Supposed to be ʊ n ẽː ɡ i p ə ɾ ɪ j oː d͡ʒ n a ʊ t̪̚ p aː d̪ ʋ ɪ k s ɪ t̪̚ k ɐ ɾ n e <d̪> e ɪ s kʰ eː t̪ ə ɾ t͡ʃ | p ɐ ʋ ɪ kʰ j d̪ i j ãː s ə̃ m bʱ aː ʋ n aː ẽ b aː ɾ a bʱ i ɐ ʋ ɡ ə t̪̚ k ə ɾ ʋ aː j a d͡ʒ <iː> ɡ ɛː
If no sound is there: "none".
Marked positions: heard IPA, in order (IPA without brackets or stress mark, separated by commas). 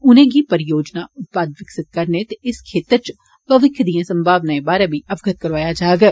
t̪, aː